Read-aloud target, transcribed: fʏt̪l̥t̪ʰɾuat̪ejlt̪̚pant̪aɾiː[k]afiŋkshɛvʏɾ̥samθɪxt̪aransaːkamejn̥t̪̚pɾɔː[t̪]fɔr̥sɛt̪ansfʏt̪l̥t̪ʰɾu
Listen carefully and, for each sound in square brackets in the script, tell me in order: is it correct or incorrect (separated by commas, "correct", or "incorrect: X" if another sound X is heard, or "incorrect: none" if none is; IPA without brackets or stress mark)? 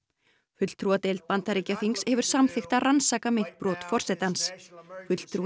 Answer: incorrect: c, correct